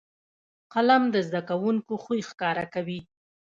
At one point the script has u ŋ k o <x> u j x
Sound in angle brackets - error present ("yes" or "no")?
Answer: no